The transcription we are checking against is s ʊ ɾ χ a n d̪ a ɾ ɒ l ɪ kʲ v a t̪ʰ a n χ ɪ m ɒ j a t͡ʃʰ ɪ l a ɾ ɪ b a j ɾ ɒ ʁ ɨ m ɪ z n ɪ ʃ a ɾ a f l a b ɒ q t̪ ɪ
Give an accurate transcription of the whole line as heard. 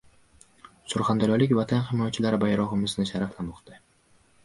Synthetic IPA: s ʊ ɾ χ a n d̪ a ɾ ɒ l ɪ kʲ v a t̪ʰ a n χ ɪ m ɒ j a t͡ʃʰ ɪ l a ɾ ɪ b a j ɾ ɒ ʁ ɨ m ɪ z n ɪ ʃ a ɾ a f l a m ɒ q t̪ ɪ

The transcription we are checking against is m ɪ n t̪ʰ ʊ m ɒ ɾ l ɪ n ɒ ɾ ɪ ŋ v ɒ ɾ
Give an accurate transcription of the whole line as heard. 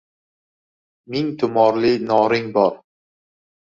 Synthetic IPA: m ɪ ŋ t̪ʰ ʊ m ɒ ɾ l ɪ n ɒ ɾ ɪ ŋ b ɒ ɾ

